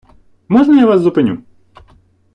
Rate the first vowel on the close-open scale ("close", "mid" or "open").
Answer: mid